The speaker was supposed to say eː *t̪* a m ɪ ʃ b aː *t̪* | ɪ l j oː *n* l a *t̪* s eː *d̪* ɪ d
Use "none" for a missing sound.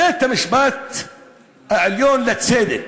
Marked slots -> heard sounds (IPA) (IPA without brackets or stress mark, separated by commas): t̪, t̪, n, t̪, d̪